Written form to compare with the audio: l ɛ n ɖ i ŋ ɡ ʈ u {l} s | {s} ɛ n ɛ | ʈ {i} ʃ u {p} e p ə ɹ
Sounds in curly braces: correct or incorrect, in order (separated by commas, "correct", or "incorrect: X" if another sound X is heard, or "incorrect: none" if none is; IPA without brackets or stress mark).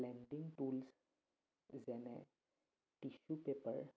correct, incorrect: z, correct, correct